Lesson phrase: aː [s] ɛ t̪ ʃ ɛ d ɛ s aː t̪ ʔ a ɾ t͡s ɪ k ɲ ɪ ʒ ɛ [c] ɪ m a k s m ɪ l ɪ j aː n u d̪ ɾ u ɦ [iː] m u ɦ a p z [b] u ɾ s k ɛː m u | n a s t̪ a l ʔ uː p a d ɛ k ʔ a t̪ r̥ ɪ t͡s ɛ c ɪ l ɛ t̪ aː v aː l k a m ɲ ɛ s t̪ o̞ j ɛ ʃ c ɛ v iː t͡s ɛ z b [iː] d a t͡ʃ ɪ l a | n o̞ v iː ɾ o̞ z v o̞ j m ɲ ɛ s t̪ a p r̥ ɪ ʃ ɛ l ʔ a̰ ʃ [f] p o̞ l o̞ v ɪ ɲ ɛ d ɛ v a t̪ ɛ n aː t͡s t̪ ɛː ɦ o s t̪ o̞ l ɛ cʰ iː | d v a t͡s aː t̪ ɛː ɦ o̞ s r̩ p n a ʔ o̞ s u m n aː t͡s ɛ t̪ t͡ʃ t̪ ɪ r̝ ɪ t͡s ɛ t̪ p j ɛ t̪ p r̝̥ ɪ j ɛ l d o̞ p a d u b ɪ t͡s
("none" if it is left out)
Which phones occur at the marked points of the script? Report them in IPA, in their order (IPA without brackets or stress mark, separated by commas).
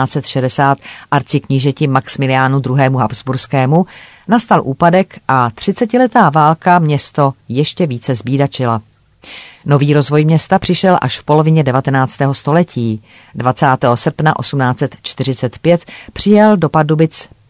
t͡s, c, ɛː, b, iː, f